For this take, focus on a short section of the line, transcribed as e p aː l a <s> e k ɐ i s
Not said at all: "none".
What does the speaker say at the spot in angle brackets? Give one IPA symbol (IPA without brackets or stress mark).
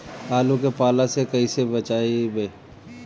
s